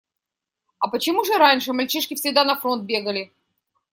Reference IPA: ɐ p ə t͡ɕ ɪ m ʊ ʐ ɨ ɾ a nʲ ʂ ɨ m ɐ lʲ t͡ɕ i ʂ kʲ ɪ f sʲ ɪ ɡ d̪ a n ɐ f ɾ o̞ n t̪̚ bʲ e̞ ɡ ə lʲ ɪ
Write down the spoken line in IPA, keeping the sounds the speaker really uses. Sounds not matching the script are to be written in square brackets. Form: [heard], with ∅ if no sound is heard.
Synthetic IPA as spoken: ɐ p ə t͡ɕ ɪ m [u] ʐ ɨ ɾ a nʲ ʂ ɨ m ɐ lʲ t͡ɕ i ʂ kʲ ɪ f sʲ ɪ ɡ d̪ a n ɐ f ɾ o̞ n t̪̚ bʲ e̞ ɡ ə lʲ ɪ